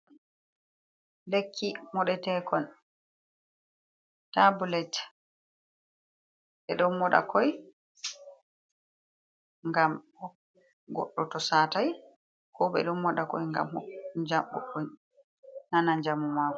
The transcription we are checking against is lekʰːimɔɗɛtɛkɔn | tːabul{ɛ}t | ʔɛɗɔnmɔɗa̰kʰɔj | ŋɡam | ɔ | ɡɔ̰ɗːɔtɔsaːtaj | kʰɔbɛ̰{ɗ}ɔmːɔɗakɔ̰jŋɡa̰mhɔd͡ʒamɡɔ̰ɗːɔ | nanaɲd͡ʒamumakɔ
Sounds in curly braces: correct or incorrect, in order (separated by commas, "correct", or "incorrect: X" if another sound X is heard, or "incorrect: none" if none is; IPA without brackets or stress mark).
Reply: correct, correct